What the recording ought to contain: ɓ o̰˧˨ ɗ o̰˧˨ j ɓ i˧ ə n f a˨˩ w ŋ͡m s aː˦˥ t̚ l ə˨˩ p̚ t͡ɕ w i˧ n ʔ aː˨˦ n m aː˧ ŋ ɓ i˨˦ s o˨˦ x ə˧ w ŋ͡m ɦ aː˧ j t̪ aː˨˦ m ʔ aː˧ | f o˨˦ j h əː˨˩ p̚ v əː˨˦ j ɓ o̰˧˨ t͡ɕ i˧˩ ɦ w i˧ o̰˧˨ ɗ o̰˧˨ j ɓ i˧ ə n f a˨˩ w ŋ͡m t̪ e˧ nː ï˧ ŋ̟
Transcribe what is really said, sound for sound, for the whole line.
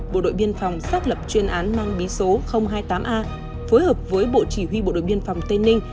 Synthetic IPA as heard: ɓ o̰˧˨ ɗ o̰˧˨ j ɓ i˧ ə n f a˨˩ w ŋ͡m s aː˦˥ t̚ l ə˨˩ p̚ t͡ɕ w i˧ n ʔ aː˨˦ n m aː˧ ŋ ɓ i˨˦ s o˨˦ x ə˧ w ŋ͡m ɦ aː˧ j t̪ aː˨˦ m ʔ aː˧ | f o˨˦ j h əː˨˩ p̚ v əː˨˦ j ɓ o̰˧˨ t͡ɕ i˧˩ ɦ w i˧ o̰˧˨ ɗ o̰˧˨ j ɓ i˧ ə n f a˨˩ w ŋ͡m t̪ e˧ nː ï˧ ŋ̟